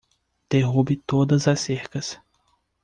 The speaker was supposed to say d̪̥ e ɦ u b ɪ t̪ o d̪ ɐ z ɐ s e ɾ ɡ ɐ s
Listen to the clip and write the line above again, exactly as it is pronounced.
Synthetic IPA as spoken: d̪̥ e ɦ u b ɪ t̪ o d̪ ɐ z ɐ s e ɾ k ɐ s